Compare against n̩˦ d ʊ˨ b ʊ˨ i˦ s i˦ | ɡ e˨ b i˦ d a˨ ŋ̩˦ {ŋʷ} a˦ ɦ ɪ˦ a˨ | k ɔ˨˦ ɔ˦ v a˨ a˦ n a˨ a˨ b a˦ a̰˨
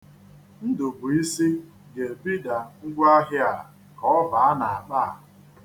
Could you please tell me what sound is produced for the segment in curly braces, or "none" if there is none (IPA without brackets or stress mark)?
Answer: ɡʷ